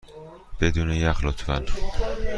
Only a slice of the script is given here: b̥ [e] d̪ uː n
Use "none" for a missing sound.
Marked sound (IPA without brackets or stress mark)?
e